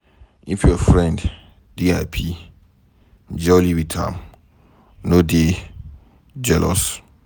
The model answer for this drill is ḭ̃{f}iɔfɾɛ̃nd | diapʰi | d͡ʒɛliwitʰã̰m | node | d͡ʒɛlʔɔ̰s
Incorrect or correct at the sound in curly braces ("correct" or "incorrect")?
correct